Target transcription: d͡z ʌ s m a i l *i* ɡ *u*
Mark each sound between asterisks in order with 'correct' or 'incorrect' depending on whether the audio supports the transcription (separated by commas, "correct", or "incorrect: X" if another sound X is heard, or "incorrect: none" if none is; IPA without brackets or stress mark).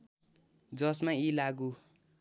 incorrect: a, correct